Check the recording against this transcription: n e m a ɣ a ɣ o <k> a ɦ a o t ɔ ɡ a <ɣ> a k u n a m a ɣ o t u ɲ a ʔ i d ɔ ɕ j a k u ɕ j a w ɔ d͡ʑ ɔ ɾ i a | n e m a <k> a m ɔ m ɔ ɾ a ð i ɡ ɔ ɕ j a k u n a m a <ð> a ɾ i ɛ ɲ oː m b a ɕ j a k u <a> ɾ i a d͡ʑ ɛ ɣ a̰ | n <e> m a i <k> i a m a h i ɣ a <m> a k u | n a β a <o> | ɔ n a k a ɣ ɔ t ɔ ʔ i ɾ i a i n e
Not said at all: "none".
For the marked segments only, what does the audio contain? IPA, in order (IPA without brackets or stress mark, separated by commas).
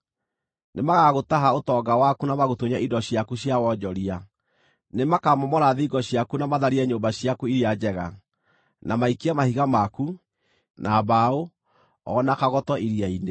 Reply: t, w, k, ð, i, a, k, m, o